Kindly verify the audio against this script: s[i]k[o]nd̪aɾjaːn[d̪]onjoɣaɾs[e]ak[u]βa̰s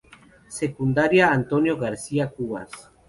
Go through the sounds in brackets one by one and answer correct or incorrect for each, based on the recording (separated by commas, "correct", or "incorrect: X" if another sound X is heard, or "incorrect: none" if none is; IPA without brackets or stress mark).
incorrect: e, incorrect: u, incorrect: t̪, incorrect: i, correct